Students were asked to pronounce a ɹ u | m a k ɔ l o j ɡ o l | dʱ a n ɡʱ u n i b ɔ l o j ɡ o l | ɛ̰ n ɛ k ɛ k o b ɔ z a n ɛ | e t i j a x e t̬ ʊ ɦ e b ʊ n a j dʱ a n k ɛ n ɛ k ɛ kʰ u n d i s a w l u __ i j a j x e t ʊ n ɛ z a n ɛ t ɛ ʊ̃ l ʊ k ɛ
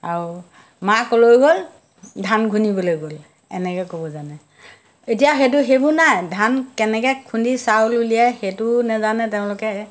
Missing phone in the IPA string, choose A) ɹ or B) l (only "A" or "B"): B